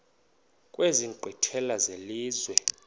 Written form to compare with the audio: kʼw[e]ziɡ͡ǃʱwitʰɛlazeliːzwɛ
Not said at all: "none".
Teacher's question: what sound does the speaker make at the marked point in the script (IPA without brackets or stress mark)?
e